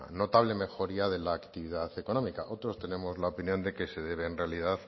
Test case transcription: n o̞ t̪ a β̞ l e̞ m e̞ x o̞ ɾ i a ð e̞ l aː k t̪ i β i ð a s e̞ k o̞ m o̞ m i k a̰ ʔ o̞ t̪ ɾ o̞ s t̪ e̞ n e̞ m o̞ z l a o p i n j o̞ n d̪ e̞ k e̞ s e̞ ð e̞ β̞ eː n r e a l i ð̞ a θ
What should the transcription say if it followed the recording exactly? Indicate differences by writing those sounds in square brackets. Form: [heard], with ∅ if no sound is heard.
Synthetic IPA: n o̞ t̪ a β̞ l e̞ m e̞ x o̞ ɾ i a ð e̞ l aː k t̪ i β i ð a [θ] e̞ k o̞ [n] o̞ m i k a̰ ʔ o̞ t̪ ɾ o̞ s t̪ e̞ n e̞ m o̞ z l a o p i n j o̞ n d̪ e̞ k e̞ s e̞ ð e̞ β̞ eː n r e a l i ð̞ a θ